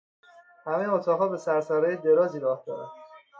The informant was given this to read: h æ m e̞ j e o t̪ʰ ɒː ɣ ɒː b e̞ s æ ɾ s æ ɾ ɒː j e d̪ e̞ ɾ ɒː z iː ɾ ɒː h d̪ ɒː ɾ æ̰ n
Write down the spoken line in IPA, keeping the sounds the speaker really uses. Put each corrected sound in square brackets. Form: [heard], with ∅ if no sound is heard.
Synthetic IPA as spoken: h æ m e̞ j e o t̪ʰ ɒː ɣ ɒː b e̞ s æ ɾ s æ ɾ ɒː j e d̪ e̞ ɾ ɒː z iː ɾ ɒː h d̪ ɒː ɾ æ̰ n